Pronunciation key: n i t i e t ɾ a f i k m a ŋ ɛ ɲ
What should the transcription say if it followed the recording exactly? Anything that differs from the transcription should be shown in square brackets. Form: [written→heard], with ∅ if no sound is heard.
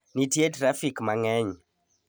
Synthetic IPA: n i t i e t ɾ a f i k m a ŋ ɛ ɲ

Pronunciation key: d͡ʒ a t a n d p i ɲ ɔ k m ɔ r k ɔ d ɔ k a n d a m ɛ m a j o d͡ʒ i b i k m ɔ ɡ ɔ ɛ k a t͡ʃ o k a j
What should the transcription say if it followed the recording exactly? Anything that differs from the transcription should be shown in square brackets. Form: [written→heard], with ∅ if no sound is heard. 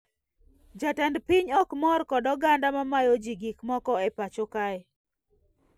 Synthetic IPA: d͡ʒ a t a n d p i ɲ ɔ k m ɔ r k ɔ d ɔ [k→ɡ] a n d a m [ɛ→a] m a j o d͡ʒ i [b→ɡ] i k m ɔ [ɡ→k] ɔ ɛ [k→p] a t͡ʃ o k a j

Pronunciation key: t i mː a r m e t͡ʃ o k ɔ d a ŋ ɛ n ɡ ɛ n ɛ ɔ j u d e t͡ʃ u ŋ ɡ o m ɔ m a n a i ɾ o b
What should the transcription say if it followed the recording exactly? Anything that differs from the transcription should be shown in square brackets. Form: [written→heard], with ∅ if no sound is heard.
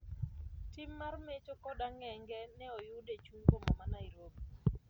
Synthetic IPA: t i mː a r m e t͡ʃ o k ɔ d a ŋ ɛ [n→ŋ] ɡ ɛ n ɛ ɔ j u d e t͡ʃ u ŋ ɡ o m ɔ m a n a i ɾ o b

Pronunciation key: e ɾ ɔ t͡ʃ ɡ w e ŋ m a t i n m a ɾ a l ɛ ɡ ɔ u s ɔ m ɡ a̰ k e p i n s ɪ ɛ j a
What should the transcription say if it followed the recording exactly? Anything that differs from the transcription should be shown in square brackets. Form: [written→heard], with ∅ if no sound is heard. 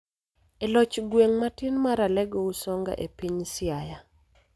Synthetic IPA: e [ɾ→l] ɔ t͡ʃ ɡ w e ŋ m a t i n m a ɾ a l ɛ ɡ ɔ u s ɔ [m→ŋ] ɡ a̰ [k→ʔ] e p i [n→ɲ] s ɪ [ɛ→a] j a

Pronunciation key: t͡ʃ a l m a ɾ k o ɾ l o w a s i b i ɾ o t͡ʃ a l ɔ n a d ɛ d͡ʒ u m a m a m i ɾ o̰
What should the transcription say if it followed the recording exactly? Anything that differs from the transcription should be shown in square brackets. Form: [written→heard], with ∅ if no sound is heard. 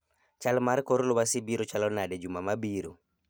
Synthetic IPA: t͡ʃ a l m a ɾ k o ɾ l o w a s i b i ɾ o t͡ʃ a l ɔ n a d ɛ d͡ʒ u m a m a [m→b] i ɾ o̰

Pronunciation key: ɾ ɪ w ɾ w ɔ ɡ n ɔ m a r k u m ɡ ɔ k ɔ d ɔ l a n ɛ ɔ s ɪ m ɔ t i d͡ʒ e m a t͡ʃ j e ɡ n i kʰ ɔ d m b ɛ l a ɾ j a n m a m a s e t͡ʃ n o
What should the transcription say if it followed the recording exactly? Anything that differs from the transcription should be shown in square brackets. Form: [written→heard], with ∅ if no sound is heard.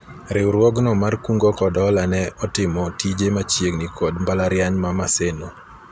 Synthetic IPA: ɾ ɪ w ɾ w ɔ ɡ n ɔ m a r k u [m→ŋ] ɡ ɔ k ɔ d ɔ l a n ɛ ɔ [s→t] ɪ m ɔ t i d͡ʒ e m a t͡ʃ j e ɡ n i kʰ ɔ d m b [ɛ→a] l a ɾ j a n m a m a s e [t͡ʃ→∅] n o

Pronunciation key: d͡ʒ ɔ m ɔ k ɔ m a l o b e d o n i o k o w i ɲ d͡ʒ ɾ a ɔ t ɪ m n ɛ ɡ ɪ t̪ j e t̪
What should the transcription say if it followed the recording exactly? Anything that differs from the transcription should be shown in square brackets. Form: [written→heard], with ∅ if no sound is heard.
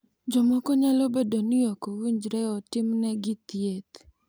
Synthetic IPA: d͡ʒ ɔ m ɔ k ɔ [m→ɲ] a l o b e d o n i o k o w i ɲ d͡ʒ ɾ [a→ɛ] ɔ t ɪ m n ɛ ɡ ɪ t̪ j e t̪

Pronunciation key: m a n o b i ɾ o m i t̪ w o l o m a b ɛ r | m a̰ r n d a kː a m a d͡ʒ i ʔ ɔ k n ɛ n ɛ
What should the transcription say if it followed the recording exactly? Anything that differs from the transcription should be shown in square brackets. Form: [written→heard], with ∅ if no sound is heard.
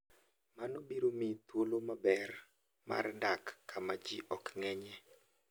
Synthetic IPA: m a n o b i ɾ o m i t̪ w o l o m a b ɛ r | m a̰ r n d a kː a m a d͡ʒ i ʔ ɔ k [n→ŋ] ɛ [n→ɲ] ɛ

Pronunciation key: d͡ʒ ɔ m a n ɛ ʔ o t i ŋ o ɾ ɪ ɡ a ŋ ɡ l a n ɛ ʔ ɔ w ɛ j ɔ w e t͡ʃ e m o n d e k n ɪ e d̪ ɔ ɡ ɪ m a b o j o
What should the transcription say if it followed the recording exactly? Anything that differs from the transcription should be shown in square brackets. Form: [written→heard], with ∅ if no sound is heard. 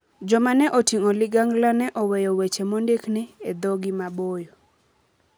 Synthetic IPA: d͡ʒ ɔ m a n ɛ ʔ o t i ŋ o [ɾ→l] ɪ ɡ a ŋ ɡ l a n ɛ ʔ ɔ w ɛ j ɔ w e t͡ʃ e m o n d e k n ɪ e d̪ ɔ ɡ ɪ m a b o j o

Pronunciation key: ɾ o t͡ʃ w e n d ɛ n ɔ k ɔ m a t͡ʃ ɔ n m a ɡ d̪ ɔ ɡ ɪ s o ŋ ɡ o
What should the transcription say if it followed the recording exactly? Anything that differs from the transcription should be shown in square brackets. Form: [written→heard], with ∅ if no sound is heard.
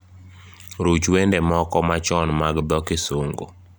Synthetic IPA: ɾ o t͡ʃ w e n d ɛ [n→m] ɔ k ɔ m a t͡ʃ ɔ n m a ɡ d̪ ɔ [ɡ→k] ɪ s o ŋ ɡ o

